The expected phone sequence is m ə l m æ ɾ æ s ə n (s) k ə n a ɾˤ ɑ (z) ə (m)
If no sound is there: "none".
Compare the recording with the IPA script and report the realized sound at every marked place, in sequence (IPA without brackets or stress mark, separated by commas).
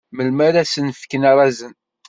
f, z, n